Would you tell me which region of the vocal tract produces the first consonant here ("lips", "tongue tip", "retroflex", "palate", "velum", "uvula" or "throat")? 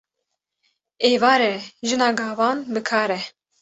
lips